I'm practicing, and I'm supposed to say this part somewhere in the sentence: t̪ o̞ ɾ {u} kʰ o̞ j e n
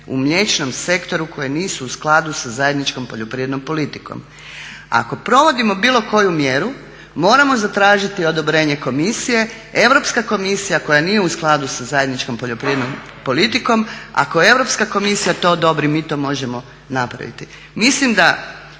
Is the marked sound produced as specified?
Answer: yes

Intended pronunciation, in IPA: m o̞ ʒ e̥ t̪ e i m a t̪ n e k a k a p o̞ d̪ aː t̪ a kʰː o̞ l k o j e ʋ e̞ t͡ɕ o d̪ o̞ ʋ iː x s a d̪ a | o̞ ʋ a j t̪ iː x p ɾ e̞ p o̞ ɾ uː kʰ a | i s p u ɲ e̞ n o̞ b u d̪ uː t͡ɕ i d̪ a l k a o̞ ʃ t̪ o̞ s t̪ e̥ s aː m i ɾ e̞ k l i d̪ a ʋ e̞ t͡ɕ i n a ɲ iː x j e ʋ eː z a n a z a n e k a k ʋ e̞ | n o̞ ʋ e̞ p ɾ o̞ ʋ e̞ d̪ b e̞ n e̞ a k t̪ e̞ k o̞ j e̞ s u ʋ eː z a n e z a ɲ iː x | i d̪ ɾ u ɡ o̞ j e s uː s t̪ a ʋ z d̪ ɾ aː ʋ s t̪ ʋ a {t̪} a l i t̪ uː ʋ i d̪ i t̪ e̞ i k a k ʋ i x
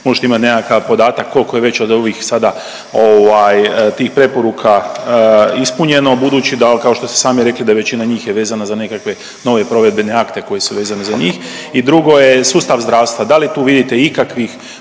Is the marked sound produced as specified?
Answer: no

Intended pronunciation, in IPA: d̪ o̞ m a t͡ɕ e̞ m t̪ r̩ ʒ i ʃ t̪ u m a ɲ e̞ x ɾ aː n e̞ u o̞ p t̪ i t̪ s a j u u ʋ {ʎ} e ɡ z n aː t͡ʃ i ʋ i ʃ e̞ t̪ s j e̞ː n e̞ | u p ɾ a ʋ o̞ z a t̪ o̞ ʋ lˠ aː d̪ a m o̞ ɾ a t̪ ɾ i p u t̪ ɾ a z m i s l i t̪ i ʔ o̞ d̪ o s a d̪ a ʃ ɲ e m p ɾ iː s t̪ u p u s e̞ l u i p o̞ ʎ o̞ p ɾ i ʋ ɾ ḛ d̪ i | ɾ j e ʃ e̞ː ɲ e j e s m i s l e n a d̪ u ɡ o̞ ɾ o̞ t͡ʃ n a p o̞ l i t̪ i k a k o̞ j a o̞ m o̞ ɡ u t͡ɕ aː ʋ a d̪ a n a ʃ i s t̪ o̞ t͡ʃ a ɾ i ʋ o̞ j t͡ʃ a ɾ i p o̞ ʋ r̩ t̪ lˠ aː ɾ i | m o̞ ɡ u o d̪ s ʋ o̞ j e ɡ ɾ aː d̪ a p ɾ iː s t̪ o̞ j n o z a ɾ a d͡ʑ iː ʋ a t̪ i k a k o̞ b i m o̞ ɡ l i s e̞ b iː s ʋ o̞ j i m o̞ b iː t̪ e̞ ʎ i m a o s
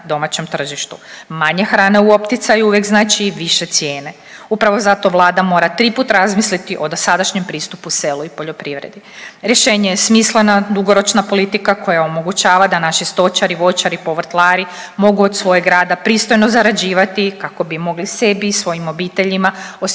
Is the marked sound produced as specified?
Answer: no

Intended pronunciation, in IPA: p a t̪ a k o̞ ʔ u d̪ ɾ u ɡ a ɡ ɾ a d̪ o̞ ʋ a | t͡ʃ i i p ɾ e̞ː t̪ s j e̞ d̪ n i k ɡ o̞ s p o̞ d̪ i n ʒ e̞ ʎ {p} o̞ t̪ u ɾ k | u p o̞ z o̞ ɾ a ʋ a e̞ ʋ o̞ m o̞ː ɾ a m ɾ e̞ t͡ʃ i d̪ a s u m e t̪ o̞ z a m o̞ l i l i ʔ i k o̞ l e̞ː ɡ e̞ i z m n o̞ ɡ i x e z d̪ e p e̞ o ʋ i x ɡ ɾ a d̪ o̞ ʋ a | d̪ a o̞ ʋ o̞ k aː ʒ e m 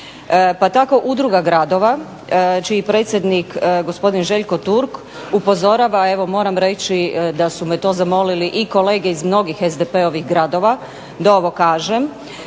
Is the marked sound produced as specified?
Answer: no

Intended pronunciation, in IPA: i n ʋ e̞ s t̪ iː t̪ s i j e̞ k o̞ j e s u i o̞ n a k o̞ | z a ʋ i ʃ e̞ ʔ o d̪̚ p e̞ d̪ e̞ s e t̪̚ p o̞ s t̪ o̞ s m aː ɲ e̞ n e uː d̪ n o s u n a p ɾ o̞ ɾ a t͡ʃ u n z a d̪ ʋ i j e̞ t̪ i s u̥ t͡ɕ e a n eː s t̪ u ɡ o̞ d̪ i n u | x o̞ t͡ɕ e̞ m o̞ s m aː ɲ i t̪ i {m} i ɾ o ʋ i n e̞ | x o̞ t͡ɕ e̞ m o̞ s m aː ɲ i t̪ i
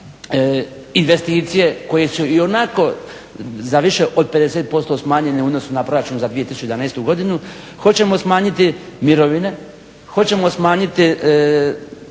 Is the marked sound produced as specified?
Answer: yes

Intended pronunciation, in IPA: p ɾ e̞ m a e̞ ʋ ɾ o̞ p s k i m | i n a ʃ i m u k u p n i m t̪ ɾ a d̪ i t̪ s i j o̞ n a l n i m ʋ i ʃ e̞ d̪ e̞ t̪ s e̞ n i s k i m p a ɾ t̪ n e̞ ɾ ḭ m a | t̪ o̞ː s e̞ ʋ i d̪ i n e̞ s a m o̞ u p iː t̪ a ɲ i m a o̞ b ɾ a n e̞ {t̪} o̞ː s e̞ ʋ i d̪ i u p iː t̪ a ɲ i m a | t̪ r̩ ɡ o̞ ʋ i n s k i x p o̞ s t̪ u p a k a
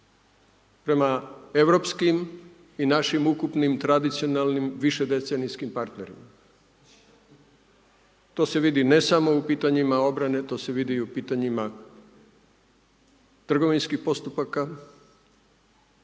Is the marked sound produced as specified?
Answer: yes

